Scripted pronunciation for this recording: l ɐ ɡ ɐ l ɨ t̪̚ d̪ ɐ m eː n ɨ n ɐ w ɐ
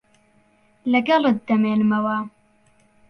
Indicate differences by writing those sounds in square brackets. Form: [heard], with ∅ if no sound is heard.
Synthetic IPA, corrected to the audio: l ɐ ɡ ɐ l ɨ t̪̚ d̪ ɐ m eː n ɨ [m] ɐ w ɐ

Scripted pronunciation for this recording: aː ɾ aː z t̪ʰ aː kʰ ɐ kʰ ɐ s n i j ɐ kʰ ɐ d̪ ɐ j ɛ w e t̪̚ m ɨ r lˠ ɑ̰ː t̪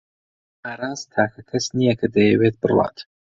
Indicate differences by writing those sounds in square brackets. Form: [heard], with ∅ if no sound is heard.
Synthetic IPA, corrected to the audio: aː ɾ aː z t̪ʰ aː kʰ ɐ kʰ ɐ s n i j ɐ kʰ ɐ d̪ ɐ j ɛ w e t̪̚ [b] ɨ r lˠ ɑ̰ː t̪

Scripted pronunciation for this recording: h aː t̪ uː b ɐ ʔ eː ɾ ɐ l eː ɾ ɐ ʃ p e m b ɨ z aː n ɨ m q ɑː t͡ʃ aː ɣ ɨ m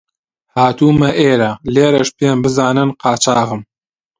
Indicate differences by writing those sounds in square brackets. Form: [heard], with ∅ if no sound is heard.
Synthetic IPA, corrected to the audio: h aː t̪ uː [m] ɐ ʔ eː ɾ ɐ l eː ɾ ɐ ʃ p e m b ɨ z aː n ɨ [n] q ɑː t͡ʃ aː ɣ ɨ m

